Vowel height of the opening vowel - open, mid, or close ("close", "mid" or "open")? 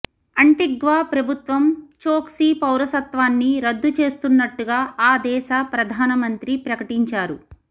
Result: open